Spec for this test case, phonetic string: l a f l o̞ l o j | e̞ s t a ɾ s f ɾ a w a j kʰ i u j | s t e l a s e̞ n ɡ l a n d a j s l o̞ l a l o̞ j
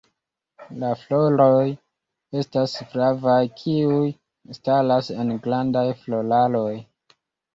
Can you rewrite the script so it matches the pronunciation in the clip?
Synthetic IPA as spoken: l a f l o̞ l o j | e̞ s t a s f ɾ a v a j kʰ i u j | s t a l a s e̞ n ɡ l a n d a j f l o̞ l a l o̞ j